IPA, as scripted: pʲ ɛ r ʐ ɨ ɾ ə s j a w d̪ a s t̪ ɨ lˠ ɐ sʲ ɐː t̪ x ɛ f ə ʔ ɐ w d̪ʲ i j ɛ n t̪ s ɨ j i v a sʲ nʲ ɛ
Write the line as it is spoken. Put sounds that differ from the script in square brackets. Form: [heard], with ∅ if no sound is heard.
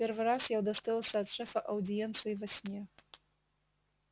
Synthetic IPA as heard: pʲ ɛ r [v] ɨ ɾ [a] s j a w d̪ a s t̪ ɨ lˠ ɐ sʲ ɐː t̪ [ʂ] ɛ f [ɐ] ʔ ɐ w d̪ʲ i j ɛ n t̪ s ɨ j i v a sʲ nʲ ɛ